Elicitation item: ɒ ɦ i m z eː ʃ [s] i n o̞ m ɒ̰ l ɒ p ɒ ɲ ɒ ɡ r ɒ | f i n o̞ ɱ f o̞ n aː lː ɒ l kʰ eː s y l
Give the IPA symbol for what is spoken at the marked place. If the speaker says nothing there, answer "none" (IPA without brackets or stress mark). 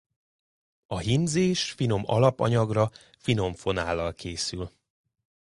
f